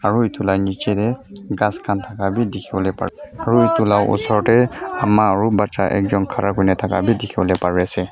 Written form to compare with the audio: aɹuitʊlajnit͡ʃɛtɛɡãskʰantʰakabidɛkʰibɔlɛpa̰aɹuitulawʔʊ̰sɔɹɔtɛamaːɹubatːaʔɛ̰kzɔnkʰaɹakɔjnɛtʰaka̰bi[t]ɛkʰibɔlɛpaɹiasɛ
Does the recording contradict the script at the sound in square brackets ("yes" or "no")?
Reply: yes